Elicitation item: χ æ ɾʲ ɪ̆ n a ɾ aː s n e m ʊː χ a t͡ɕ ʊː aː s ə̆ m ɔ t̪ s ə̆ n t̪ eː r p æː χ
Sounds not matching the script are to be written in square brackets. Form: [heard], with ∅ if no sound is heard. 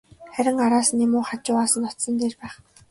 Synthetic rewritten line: χ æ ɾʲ ɪ̆ [ŋ] a ɾ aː s n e m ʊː χ a t͡ɕ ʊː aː s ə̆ [n] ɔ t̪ s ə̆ n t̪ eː r p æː χ